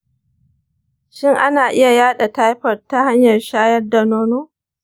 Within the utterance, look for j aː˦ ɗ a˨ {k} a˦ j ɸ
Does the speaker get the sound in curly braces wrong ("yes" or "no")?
yes